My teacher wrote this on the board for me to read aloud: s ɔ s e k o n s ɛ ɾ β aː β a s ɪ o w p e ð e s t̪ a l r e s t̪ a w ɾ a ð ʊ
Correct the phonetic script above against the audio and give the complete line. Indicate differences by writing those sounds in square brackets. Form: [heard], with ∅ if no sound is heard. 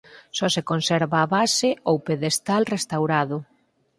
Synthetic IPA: s ɔ s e k o n s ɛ ɾ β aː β a s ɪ o w p e ð e s t̪ a l r e s t̪ a w ɾ a ð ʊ

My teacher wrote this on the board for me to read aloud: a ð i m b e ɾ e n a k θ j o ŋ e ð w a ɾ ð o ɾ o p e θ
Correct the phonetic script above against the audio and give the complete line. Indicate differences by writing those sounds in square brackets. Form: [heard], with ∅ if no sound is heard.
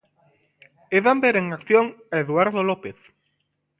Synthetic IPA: [e] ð [a] m b e ɾ e [ŋ] a k θ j o ŋ e ð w a ɾ ð o [l] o p e θ

